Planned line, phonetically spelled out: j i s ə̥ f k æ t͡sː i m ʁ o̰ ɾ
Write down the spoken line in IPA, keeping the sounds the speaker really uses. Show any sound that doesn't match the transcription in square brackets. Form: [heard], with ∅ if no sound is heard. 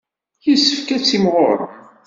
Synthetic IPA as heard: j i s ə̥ f k æ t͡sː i m ʁ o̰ ɾ